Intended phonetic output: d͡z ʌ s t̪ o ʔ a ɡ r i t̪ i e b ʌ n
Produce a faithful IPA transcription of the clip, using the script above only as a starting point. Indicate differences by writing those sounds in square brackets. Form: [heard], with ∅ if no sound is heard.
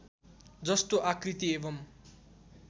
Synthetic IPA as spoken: d͡z ʌ s t̪ o ʔ a [k] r i t̪ i e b ʌ [m]

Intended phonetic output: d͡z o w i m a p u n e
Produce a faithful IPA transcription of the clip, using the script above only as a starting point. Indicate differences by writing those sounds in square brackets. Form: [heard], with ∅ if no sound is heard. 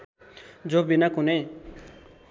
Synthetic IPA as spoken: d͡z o [b] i [n] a [k] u n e

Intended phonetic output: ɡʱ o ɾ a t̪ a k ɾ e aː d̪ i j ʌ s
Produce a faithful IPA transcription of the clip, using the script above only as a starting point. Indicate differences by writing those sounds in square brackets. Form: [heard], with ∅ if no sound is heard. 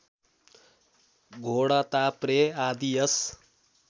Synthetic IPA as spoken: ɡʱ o [ɽ] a t̪ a [p] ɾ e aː d̪ i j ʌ s

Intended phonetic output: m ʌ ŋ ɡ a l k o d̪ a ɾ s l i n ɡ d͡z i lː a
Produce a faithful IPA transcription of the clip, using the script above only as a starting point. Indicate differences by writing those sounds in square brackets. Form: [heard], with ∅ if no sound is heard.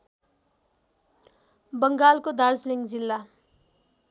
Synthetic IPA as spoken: [b] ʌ ŋ ɡ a l k o d̪ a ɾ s l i [ŋ] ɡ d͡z i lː a

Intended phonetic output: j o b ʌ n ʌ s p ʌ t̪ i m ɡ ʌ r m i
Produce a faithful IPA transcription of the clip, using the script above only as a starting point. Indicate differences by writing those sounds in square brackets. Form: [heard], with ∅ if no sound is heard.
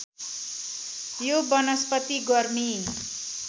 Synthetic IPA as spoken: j o b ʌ n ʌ s p ʌ t̪ i [∅] ɡ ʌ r m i

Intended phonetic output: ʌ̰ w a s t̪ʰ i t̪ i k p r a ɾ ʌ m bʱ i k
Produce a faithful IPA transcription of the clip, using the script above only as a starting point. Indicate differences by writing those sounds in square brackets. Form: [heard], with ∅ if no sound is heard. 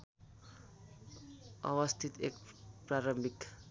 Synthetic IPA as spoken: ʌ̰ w [ʌ] s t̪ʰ i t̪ [e] k p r a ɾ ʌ m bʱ i k

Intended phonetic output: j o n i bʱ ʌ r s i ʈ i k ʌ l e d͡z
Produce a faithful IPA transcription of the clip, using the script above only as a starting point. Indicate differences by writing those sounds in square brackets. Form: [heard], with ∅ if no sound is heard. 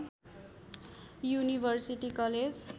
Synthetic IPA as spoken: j [u] n i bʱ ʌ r s i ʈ i k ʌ l e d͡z

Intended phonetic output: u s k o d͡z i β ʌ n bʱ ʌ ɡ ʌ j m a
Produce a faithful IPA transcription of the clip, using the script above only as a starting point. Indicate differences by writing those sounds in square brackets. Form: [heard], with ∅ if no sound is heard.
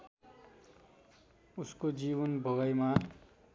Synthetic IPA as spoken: u s k o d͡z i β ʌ n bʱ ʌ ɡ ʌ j m a

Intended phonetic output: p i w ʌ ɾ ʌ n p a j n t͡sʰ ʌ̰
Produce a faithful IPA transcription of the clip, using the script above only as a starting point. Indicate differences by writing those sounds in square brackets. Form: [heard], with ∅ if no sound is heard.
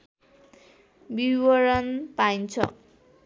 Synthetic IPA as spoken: [b] i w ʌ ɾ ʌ n p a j n t͡sʰ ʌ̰

